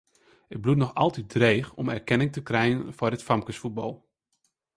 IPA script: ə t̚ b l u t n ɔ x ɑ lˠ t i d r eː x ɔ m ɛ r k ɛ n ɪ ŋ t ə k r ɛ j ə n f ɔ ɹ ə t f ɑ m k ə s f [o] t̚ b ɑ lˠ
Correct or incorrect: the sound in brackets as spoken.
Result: incorrect: u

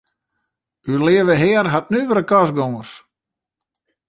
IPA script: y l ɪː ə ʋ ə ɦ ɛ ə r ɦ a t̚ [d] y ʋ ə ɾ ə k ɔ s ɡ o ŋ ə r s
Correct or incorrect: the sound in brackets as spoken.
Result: incorrect: n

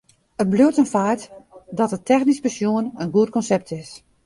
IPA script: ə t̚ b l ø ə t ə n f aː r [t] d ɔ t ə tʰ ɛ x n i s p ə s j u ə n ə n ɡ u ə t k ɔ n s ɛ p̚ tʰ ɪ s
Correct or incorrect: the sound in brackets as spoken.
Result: correct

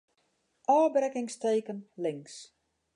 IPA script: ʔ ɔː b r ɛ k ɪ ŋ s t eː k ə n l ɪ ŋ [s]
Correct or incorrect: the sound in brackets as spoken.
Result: correct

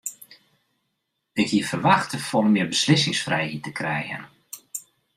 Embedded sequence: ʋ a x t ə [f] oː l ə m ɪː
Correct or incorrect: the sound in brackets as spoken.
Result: correct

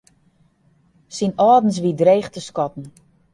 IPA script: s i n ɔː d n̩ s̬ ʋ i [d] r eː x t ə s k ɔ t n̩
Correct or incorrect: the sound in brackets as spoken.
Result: correct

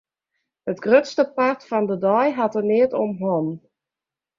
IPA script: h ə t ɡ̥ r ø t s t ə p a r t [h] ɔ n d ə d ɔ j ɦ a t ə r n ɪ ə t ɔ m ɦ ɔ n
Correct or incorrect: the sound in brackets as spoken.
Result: incorrect: f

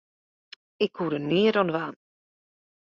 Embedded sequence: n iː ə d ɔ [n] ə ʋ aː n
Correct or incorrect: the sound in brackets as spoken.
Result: correct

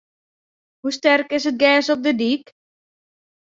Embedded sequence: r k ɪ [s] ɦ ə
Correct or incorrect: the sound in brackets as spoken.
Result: correct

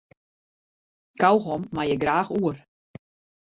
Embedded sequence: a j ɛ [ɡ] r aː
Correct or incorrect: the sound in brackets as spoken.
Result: correct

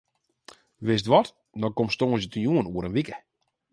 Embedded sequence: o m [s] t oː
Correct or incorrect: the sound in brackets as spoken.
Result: correct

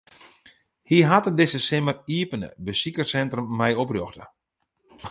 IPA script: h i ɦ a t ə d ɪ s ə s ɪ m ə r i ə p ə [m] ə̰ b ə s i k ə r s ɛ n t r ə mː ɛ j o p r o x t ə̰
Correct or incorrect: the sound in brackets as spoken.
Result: incorrect: n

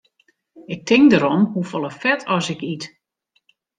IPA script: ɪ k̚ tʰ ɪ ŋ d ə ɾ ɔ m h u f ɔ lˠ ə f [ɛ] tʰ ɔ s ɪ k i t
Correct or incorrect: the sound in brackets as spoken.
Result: correct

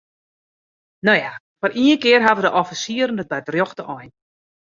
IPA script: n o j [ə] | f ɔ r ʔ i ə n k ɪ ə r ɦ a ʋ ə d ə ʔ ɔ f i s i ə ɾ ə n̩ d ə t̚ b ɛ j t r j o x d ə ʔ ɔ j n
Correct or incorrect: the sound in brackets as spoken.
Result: incorrect: a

